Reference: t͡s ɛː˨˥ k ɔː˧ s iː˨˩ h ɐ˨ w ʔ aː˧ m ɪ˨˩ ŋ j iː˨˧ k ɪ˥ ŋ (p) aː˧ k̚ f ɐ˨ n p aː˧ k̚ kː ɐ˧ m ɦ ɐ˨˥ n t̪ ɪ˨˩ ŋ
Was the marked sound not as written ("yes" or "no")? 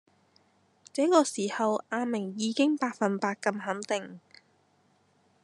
no